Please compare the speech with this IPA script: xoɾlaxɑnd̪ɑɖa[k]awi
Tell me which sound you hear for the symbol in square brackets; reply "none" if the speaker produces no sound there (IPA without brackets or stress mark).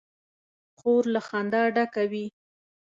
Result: k